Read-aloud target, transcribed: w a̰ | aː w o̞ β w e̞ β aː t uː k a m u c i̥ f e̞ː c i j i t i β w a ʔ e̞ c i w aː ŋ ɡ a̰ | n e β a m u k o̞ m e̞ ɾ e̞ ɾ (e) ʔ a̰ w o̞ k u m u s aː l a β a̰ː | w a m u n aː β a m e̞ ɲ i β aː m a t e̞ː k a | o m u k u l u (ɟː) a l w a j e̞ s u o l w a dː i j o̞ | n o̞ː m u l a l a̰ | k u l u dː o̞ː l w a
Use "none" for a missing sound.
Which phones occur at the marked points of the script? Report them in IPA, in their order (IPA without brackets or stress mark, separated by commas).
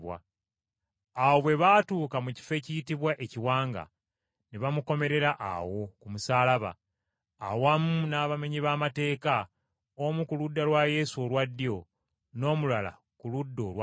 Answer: a, dː